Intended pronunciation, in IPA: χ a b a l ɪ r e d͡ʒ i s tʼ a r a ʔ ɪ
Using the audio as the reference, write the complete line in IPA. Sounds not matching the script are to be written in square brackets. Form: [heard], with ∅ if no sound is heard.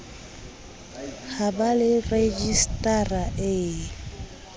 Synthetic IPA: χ a b a l ɪ r e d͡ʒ i s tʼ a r a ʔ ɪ